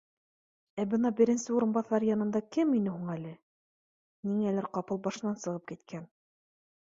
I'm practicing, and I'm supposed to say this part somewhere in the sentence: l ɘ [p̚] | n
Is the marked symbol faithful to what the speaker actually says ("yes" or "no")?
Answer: no